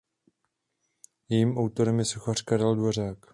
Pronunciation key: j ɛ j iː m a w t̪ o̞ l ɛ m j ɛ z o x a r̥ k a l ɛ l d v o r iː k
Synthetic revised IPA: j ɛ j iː m a w t̪ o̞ ɾ ɛ m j ɛ s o x a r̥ k a ɾ ɛ l d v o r aː k